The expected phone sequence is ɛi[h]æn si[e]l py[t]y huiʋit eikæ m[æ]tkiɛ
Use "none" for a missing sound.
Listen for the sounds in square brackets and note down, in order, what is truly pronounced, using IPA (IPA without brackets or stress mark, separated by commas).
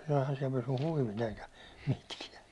h, ɛ, s, i